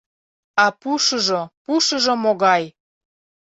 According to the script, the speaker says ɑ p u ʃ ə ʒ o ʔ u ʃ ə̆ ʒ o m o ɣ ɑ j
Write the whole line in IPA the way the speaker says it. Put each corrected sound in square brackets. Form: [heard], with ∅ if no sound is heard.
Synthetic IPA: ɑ p u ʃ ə ʒ o [p] u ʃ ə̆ ʒ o m o ɣ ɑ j